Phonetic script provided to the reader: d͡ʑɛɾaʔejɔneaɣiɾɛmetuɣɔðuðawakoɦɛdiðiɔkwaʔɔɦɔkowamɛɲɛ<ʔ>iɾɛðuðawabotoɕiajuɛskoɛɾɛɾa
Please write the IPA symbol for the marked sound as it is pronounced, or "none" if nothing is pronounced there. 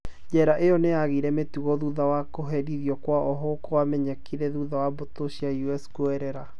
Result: k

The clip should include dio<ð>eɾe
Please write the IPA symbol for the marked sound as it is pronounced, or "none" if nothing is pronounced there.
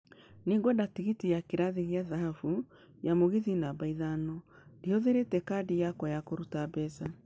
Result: ð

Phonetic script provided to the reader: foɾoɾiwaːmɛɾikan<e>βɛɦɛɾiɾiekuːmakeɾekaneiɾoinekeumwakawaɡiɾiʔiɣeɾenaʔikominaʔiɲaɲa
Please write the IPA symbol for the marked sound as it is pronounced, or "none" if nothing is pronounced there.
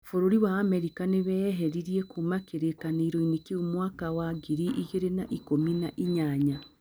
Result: e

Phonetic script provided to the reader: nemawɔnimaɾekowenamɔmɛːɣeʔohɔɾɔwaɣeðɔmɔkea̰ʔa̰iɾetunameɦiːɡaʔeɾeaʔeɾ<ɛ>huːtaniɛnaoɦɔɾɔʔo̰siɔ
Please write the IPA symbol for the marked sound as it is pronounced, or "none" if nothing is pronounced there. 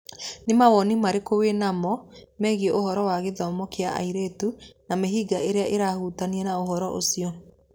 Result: a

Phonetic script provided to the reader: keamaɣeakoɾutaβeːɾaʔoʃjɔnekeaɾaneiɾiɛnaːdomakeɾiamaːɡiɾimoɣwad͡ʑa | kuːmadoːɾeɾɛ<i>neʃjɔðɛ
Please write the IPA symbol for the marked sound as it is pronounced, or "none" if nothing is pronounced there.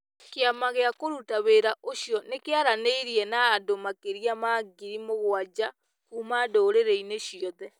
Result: i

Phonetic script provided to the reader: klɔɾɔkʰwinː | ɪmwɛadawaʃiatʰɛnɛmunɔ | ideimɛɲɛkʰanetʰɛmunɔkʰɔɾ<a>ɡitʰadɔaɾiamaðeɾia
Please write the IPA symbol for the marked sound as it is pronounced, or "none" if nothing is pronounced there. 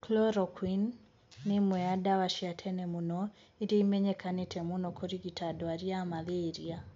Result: i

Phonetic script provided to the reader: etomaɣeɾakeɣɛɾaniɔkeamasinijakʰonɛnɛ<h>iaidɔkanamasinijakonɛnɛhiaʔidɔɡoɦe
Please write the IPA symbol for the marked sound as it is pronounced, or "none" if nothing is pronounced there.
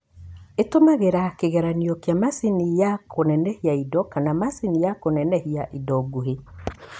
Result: h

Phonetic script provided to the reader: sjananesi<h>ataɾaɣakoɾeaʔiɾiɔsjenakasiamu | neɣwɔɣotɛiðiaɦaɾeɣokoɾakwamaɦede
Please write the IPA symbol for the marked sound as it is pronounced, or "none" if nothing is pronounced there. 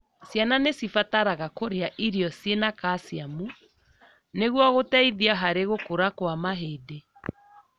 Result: f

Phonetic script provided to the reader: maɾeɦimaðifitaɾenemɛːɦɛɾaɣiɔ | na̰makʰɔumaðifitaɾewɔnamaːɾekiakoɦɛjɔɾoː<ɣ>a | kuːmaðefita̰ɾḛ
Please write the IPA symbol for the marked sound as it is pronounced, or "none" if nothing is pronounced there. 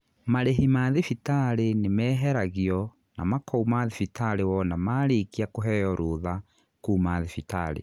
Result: ð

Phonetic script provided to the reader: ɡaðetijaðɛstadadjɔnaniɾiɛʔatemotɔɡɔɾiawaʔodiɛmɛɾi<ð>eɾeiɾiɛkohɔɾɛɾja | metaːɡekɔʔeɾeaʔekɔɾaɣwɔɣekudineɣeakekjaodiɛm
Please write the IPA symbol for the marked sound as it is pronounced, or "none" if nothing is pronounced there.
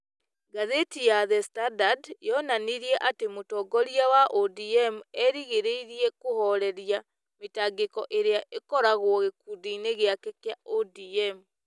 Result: ɣ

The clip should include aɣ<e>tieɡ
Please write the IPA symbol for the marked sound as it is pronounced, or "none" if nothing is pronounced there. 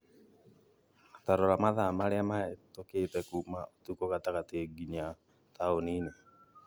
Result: a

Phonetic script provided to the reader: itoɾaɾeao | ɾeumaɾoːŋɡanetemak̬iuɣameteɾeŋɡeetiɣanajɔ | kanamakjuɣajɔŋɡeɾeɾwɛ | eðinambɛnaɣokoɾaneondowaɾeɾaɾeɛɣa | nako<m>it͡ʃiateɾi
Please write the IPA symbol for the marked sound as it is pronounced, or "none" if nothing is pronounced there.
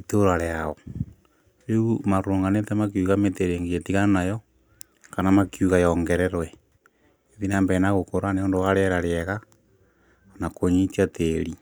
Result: ɲ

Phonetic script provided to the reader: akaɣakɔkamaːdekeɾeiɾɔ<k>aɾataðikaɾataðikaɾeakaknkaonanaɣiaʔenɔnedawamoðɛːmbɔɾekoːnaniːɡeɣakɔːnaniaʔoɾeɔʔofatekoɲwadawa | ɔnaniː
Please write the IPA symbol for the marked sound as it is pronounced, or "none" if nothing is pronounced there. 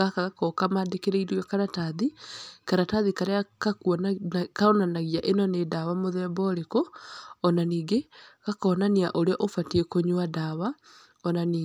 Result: k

